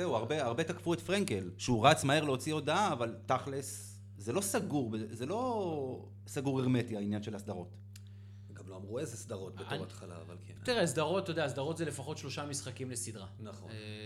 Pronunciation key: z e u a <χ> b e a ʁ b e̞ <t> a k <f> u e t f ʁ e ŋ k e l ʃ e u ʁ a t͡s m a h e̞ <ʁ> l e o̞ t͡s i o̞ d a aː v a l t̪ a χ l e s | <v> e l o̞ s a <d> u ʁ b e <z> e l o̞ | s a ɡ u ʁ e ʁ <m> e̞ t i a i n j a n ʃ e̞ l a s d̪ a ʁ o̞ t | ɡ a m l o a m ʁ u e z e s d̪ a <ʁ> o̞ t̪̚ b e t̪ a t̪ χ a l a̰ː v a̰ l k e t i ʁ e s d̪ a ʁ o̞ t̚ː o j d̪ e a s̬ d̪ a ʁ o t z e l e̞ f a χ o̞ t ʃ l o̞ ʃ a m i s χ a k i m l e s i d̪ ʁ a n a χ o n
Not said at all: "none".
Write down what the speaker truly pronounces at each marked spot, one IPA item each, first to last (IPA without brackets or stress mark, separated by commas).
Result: ʁ, t, f, ʁ, z, ɡ, z, m, ʁ